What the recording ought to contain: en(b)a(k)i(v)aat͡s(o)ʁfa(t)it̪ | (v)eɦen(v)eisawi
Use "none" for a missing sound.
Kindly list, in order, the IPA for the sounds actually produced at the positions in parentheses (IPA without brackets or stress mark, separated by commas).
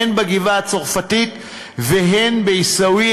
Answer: b, ɡ, v, o, t, v, b